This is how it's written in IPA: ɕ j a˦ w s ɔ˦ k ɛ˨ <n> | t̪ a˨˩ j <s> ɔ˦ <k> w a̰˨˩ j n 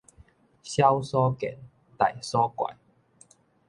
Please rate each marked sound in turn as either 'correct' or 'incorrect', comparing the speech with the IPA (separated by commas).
correct, correct, correct